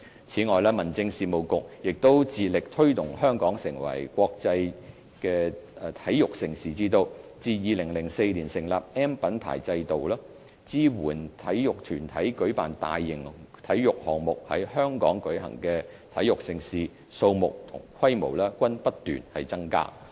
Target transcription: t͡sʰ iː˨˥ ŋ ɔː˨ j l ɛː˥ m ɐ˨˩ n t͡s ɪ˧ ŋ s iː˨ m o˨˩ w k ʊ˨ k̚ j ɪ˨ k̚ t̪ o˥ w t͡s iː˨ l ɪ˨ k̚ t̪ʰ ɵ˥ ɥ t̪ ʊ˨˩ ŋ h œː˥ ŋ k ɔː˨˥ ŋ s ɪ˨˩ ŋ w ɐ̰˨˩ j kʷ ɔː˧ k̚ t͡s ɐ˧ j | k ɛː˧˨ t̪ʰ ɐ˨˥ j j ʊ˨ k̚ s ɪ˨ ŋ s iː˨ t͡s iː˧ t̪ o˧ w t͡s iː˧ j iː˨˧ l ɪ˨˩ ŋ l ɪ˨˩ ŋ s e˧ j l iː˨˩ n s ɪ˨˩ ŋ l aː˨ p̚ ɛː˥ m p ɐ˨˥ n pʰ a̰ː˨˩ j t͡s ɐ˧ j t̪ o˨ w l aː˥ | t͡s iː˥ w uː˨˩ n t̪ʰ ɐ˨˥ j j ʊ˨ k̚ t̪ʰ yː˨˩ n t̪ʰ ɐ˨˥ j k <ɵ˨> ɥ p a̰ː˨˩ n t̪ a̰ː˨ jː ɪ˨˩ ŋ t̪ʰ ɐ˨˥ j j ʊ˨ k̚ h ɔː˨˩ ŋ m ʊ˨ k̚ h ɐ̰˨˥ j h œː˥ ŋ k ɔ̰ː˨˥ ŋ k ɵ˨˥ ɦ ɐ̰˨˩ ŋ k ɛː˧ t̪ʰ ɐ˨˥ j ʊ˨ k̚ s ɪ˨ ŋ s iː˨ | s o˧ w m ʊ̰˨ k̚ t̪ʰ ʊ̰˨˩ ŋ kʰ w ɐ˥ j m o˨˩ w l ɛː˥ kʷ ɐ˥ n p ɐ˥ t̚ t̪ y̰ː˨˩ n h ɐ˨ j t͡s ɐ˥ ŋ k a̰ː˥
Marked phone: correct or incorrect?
incorrect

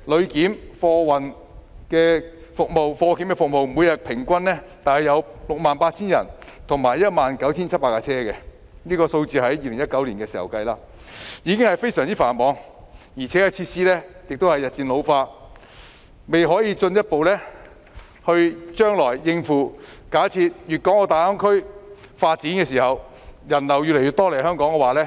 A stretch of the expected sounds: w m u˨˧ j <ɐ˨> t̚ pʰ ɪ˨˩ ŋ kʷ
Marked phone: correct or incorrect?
correct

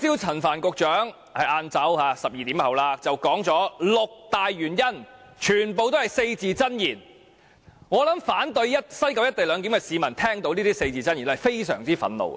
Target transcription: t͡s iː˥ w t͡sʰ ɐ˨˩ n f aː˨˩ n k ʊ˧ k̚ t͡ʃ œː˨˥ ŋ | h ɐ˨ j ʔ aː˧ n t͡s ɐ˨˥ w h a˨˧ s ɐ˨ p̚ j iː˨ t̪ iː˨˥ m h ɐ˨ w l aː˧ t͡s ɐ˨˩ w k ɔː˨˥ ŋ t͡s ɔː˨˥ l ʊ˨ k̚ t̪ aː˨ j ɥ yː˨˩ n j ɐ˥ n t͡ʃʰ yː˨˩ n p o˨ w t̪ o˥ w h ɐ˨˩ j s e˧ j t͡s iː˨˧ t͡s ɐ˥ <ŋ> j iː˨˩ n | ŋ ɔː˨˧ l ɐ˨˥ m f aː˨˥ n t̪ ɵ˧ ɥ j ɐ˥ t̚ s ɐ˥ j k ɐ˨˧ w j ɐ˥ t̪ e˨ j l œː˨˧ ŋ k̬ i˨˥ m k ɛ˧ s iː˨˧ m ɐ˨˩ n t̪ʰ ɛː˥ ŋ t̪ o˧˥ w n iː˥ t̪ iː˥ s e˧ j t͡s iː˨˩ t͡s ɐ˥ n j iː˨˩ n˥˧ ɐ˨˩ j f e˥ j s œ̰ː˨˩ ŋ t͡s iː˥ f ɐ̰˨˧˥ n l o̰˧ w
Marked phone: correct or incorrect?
incorrect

